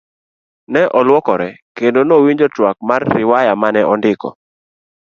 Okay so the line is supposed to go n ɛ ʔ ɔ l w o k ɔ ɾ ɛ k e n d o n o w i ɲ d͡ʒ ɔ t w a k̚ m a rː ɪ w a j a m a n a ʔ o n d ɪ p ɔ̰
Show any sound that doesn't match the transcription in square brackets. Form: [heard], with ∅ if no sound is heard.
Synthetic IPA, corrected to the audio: n ɛ ʔ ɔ l w [ɔ] k ɔ ɾ ɛ k e n d o n o w i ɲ d͡ʒ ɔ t w a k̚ m a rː ɪ w a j a m a n [ɛ] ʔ [ɔ] n d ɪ [k] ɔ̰